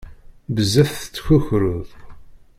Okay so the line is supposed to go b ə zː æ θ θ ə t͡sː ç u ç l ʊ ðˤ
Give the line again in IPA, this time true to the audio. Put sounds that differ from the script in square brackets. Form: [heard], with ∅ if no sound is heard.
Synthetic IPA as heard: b ə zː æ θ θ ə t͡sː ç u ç [ɾ] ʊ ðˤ